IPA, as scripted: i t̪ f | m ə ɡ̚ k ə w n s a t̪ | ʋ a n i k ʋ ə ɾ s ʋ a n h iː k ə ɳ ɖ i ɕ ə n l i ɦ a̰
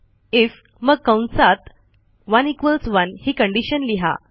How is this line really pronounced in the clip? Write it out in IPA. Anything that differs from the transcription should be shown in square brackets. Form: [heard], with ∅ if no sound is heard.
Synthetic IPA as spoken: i [∅] f | m ə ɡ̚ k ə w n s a t̪ | ʋ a n i k ʋ ə [l] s ʋ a n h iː k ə ɳ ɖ i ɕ ə n l i ɦ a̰